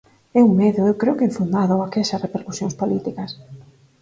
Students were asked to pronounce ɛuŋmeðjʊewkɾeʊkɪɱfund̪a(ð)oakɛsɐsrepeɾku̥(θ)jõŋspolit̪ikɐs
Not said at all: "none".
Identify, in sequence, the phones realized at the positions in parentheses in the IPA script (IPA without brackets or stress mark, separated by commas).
ð, s